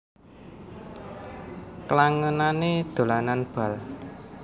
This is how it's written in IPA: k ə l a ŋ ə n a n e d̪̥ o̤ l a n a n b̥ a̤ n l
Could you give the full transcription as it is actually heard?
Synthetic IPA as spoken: k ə l a ŋ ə n a n e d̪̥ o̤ l a n a n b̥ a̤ l